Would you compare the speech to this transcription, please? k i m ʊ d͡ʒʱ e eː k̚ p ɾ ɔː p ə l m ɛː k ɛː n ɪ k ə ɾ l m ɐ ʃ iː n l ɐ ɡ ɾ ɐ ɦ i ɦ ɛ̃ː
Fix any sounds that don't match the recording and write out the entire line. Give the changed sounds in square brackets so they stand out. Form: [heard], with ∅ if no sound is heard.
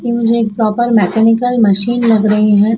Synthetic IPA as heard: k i m ʊ d͡ʒʱ e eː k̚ p ɾ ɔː p ə [ɾ] m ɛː k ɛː n ɪ k ə [∅] l m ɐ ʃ iː n l ɐ ɡ ɾ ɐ ɦ i ɦ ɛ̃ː